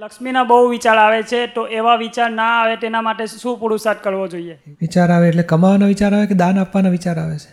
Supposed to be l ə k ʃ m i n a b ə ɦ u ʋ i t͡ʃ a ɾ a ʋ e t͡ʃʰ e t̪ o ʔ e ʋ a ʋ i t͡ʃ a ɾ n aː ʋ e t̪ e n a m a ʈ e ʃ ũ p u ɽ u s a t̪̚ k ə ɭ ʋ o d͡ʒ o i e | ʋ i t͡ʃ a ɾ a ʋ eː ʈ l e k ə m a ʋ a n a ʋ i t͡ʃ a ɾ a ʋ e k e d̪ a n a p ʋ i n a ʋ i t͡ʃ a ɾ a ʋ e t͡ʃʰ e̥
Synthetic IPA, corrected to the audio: l ə k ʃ m i n a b ə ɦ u ʋ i t͡ʃ a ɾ a ʋ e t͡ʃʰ e t̪ o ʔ e ʋ a ʋ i t͡ʃ a ɾ n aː ʋ e t̪ e n a m a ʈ e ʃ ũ p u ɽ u s a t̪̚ k ə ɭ ʋ o d͡ʒ o i e | ʋ i t͡ʃ a ɾ a ʋ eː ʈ l e k ə m a ʋ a n a ʋ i t͡ʃ a ɾ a ʋ e k e d̪ a n a p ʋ a n a ʋ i t͡ʃ a ɾ a ʋ e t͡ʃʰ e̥